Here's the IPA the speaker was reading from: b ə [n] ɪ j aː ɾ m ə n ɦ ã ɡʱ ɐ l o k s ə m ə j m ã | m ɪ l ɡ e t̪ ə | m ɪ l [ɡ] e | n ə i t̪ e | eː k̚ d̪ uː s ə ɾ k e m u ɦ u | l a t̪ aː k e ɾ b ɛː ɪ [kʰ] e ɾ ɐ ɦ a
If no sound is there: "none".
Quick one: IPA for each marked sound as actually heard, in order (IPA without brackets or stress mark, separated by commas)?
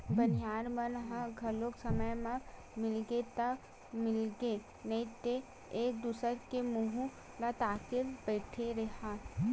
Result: n, ɡ, ʈʰ